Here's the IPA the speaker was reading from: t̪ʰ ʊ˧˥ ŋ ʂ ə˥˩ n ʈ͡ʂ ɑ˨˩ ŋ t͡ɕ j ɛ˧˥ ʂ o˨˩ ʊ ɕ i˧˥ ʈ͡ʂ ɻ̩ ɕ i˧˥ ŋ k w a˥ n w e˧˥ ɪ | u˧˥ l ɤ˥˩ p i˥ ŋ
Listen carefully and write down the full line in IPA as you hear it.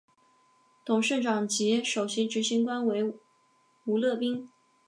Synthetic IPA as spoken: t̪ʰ ʊ˨˩ ŋ ʂ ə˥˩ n ʈ͡ʂ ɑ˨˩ ŋ t͡ɕ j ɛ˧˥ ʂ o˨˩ ʊ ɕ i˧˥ ʈ͡ʂ ɻ̩ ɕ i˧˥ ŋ k w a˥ n w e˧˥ ɪ | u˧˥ l ɤ˥˩ p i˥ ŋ

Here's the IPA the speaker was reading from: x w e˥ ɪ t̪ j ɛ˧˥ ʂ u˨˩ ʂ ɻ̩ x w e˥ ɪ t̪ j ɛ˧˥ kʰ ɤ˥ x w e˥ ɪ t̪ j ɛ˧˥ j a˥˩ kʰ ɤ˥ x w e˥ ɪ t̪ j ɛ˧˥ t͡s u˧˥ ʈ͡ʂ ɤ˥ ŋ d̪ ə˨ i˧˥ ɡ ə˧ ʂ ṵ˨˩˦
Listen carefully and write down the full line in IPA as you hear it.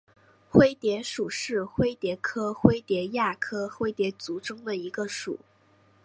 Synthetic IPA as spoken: x w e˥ ɪ t̪ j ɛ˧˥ ʂ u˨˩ ʂ ɻ̩ x w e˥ ɪ t̪ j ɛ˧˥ kʰ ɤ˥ x w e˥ ɪ t̪ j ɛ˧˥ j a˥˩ kʰ ɤ˥ x w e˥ ɪ t̪ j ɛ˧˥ t͡s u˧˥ ʈ͡ʂ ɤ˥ ŋ d̪ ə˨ i˧˥ ɡ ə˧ ʂ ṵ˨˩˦

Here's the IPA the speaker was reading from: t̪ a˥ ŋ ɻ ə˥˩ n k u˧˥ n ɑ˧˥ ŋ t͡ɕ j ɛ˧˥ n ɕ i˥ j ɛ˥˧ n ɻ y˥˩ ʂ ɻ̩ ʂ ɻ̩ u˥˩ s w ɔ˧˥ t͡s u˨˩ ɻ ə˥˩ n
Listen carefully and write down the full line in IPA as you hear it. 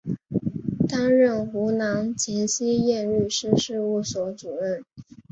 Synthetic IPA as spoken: t̪ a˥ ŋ ɻ ə˥˩ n x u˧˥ n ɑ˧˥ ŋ t͡ɕʰ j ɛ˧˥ n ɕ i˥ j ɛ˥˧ n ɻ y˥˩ ʂ ɻ̩ ʂ ɻ̩ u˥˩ s w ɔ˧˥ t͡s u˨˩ ɻ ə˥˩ n

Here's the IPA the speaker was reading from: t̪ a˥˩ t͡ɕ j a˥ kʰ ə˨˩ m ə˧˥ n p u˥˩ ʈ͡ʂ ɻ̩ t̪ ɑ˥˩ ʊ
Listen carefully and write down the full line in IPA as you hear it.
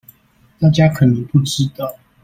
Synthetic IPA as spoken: t̪ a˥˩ t͡ɕ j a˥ kʰ ə˨˩ n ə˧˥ ŋ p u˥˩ ʈ͡ʂ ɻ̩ t̪ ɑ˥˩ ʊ

